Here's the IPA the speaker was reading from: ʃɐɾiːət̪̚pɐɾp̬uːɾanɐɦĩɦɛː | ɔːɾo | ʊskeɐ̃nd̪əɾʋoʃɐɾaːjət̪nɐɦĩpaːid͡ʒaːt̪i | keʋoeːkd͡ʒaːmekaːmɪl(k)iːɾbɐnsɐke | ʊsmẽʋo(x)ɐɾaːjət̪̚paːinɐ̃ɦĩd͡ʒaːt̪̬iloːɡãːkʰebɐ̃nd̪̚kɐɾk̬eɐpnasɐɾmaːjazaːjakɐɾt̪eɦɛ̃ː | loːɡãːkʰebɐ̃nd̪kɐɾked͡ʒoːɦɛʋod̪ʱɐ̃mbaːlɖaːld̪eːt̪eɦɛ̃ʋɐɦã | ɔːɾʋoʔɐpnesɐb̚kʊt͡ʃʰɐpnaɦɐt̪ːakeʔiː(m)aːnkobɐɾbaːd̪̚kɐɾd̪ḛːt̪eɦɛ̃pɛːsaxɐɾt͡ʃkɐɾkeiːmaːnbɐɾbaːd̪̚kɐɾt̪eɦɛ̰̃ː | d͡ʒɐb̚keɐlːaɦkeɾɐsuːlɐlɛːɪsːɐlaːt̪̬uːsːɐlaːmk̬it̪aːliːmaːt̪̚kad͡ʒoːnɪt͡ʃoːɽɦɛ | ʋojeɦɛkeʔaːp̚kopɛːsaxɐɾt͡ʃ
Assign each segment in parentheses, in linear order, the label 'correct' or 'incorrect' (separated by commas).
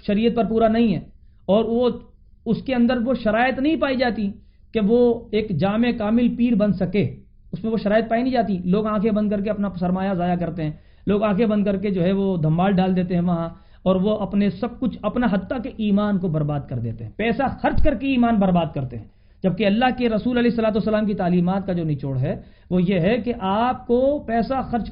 incorrect, incorrect, correct